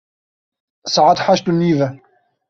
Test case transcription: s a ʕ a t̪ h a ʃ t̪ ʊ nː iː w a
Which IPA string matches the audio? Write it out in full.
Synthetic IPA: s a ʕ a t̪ ħ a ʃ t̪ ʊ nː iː v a